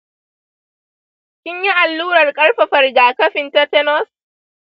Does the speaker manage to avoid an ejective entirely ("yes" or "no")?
no